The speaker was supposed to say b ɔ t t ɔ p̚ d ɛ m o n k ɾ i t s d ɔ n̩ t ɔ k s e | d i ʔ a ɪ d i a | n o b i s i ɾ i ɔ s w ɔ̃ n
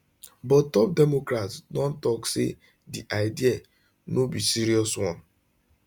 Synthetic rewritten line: b ɔ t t ɔ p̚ d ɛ m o k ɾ a t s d ɔ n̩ t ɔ k s e | d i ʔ a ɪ d i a | n o b i s i ɾ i ɔ s w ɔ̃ n